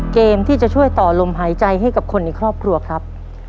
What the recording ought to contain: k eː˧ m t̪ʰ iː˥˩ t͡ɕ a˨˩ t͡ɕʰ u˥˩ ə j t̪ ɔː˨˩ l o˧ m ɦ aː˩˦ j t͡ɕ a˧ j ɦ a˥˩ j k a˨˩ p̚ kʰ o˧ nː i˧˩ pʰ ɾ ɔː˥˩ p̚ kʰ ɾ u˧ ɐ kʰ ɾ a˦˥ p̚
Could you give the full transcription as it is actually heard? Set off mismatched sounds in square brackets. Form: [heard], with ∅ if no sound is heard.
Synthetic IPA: k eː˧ m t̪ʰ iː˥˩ t͡ɕ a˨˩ t͡ɕʰ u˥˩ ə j t̪ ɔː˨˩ l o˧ m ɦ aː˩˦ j t͡ɕ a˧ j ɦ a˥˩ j k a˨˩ p̚ kʰ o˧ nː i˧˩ [kʰ] ɾ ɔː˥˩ p̚ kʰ ɾ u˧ ɐ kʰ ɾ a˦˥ p̚